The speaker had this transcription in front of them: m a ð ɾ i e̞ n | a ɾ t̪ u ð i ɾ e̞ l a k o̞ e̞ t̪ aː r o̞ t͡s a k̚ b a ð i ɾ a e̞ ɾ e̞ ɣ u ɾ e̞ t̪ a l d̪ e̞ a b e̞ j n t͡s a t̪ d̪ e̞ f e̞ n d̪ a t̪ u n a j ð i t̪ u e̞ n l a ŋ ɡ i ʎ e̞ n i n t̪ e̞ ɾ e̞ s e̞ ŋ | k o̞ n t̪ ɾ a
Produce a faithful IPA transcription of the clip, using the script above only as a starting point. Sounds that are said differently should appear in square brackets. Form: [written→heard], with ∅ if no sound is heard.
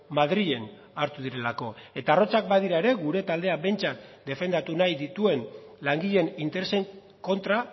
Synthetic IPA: m a ð ɾ i e̞ n | a ɾ t̪ u ð i ɾ e̞ l a k o̞ e̞ t̪ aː r o̞ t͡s a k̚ b a ð i ɾ a e̞ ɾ e̞ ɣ u ɾ e̞ t̪ a l d̪ e̞ a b e̞ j n t͡s a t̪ d̪ e̞ f e̞ n d̪ a t̪ u n a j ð i t̪ u e̞ n l a ŋ ɡ i ʎ e̞ n i n t̪ e̞ ɾ e̞ s e̞ ŋ | k o̞ n t̪ ɾ a